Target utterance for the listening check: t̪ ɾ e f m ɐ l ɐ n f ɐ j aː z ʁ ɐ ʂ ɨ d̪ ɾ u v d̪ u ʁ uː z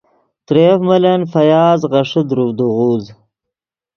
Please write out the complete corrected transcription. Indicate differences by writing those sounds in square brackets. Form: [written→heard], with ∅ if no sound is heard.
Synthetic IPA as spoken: t̪ ɾ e f m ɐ l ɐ n f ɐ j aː z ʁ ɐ ʂ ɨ d̪ ɾ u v d̪ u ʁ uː z